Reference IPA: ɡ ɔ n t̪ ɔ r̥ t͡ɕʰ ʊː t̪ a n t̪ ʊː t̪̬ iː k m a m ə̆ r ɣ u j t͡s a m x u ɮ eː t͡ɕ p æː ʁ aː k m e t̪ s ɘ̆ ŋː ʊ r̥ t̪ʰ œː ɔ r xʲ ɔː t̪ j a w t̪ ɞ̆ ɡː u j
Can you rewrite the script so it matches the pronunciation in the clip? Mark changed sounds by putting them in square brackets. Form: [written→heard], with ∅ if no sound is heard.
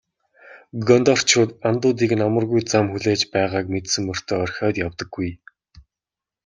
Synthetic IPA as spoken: ɡ ɔ n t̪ ɔ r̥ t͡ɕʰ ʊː t̪ a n t̪ ʊː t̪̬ iː k [m→n] a m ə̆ r ɣ u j t͡s a m x u ɮ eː t͡ɕ p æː ʁ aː k m e t̪ s ɘ̆ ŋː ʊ r̥ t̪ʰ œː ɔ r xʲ ɔː t̪ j a w t̪ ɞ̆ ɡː u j